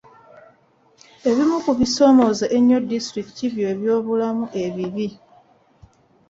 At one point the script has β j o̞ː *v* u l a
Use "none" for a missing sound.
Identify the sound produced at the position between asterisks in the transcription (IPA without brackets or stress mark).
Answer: β